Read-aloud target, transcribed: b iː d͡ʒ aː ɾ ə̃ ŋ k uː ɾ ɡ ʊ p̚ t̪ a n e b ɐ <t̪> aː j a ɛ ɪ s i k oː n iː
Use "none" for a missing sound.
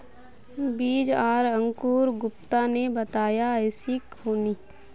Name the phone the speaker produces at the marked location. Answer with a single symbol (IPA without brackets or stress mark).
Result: t̪